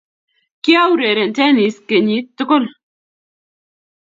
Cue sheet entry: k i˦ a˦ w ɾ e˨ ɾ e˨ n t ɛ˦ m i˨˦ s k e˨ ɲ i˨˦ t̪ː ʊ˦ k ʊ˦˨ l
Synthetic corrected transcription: k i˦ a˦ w ɾ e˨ ɾ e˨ n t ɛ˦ n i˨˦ s k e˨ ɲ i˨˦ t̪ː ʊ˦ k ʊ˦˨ l

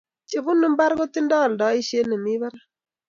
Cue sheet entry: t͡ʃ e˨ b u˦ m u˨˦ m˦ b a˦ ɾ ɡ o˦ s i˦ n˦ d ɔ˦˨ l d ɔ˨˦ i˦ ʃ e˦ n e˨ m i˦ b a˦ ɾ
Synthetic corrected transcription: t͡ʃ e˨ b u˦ n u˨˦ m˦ b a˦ ɾ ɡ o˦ t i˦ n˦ d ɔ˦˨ l d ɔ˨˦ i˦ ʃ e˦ n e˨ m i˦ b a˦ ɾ

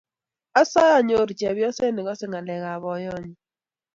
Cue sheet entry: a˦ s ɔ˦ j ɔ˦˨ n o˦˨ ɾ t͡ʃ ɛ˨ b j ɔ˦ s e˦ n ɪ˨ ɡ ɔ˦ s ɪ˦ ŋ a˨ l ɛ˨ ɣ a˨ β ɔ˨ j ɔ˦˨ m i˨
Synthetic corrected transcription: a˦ s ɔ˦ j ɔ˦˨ ɲ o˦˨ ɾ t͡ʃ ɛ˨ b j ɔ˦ s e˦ n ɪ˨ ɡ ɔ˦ s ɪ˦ ŋ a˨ l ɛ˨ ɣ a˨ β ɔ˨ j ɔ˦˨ ɲ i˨

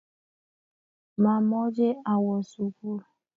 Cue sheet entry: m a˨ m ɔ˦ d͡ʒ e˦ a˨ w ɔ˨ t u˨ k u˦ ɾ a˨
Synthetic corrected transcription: m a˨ m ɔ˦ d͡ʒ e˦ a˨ w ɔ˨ s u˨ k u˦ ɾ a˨

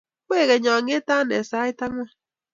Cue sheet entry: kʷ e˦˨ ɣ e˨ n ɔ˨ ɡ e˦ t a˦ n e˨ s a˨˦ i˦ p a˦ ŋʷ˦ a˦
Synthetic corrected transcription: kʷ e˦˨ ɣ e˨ ɲ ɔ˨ ŋ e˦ t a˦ n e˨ s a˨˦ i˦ t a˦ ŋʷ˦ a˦

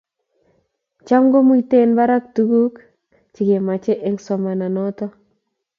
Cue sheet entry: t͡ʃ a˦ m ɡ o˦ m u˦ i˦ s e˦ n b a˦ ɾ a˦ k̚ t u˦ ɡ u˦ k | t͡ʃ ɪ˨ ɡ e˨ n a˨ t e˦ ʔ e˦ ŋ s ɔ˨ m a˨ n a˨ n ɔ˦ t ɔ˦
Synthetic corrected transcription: t͡ʃ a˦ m ɡ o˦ m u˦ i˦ t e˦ n b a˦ ɾ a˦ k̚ t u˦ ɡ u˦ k | t͡ʃ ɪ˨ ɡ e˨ m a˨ t͡ʃ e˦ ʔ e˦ ŋ s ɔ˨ m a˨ n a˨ n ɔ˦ t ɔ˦

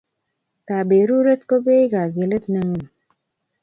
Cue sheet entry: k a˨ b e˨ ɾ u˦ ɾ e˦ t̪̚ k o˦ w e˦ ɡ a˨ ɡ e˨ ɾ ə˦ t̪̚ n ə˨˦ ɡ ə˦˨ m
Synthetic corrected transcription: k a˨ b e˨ ɾ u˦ ɾ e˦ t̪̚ k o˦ b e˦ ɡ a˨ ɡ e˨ l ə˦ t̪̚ n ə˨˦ ŋ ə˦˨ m

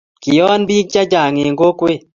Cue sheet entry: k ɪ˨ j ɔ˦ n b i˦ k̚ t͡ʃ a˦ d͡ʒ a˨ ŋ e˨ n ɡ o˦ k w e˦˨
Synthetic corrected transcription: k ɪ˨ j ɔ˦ n b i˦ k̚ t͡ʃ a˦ d͡ʒ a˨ ŋ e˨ ŋ ɡ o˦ k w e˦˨

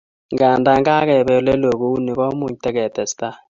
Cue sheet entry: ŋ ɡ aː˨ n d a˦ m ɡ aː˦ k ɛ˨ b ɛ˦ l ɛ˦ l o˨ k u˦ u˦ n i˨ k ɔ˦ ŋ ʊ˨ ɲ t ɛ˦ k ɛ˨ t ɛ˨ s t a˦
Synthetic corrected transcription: ŋ ɡ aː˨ n d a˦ ŋ ɡ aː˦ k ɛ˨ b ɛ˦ l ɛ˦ l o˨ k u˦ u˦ n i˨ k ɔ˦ m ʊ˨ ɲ t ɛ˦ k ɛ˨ t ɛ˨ s t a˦

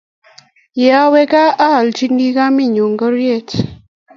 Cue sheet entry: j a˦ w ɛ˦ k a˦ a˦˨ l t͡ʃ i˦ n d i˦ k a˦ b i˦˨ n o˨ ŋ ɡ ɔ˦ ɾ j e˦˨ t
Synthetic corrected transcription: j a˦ w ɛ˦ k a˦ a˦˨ l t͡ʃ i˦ n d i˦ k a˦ m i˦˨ ɲ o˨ ŋ ɡ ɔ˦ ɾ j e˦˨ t

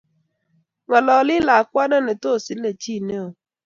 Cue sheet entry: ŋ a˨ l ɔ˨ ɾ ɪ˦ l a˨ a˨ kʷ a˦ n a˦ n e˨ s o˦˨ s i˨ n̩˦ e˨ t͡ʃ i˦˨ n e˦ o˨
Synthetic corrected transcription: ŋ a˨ l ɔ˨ l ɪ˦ l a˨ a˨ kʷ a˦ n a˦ n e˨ t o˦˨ s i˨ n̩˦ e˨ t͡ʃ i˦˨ n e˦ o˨

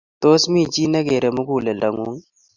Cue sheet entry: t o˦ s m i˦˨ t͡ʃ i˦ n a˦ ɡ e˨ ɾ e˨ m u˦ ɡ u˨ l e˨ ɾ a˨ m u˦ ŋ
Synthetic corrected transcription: t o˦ s m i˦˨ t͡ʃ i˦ n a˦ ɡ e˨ ɾ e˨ m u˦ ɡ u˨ l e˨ l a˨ ŋ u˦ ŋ

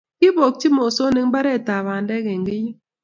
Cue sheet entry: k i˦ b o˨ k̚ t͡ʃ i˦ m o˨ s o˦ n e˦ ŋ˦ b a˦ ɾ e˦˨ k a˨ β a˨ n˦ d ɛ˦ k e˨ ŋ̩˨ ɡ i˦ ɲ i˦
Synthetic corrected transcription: k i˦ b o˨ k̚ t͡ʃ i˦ m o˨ s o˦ n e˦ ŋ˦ b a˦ ɾ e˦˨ t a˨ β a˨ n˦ d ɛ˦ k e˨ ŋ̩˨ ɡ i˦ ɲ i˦

